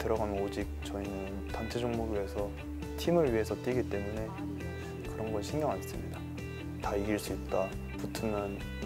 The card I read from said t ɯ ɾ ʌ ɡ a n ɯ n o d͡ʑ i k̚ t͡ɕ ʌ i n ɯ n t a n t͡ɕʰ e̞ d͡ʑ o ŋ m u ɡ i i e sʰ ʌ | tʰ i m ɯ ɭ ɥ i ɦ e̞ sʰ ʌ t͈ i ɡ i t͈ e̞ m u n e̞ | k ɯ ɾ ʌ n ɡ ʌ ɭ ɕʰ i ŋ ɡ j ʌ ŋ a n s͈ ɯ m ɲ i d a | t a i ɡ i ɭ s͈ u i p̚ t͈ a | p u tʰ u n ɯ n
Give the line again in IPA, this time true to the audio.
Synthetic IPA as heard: t ɯ ɾ ʌ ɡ a n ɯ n o d͡ʑ i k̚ t͡ɕ ʌ i n ɯ n t a n t͡ɕʰ e̞ d͡ʑ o ŋ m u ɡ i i e sʰ ʌ | tʰ i m ɯ ɭ ɥ i ɦ e̞ sʰ ʌ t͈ i ɡ i t͈ e̞ m u n e̞ | k ɯ ɾ ʌ n ɡ ʌ ɭ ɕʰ i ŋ ɡ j ʌ ŋ a n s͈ ɯ m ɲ i d a | t a i ɡ i ɭ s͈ u i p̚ t͈ a | p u tʰ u n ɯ n